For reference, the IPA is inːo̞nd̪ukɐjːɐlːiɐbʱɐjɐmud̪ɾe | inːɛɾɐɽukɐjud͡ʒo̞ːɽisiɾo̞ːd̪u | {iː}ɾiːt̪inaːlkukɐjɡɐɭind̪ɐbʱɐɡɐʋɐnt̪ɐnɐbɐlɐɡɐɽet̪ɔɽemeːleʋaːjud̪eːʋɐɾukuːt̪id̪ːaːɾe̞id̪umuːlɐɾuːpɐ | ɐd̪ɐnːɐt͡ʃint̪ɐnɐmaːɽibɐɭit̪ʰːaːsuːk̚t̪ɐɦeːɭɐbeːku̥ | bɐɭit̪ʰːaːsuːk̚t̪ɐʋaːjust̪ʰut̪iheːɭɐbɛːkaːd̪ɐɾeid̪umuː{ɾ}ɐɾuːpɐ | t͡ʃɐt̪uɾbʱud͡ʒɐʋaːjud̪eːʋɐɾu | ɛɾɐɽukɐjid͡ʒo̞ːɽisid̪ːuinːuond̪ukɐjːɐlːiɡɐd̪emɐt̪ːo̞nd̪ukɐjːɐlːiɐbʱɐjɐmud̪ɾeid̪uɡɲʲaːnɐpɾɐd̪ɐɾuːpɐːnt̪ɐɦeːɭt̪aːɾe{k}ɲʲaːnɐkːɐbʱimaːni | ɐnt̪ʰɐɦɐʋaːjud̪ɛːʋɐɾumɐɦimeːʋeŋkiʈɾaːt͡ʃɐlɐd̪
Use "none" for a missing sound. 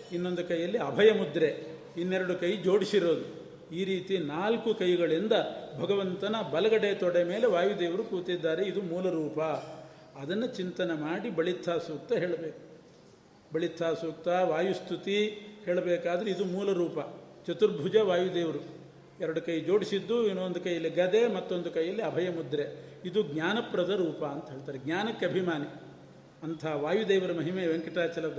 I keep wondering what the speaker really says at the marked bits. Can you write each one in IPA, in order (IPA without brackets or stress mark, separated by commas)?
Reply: iː, l, ɡ